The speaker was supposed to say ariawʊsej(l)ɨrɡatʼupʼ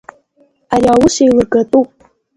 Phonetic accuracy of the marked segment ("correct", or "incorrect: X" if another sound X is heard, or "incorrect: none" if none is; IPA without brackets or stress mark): correct